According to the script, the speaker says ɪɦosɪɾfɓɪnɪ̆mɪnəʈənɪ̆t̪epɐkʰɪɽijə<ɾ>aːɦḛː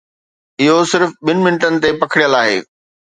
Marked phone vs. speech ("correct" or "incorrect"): incorrect